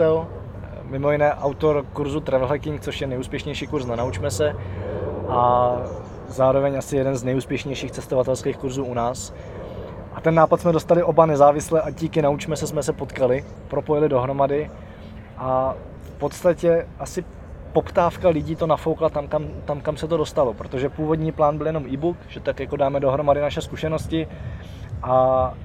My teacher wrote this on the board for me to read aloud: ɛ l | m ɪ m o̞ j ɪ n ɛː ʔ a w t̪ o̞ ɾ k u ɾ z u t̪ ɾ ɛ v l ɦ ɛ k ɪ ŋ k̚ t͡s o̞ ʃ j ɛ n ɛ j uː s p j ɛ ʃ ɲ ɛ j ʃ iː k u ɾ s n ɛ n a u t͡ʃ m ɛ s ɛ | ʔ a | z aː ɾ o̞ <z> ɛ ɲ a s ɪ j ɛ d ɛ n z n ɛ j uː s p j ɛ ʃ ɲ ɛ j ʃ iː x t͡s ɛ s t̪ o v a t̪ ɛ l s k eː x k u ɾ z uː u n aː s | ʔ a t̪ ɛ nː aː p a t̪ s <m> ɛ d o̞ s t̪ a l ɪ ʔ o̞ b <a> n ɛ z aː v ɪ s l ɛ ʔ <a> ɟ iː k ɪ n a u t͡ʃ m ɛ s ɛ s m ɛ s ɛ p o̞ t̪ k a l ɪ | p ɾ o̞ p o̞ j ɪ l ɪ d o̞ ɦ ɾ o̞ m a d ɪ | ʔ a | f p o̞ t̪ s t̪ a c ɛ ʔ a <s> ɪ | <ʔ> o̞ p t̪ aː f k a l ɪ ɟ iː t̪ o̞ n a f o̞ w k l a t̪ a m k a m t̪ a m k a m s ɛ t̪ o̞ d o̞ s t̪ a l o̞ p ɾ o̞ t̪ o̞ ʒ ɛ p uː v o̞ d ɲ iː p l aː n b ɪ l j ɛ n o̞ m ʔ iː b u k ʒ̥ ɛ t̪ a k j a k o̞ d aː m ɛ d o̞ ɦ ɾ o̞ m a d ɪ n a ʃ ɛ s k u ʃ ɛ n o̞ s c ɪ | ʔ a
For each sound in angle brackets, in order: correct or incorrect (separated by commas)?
incorrect, correct, correct, correct, correct, incorrect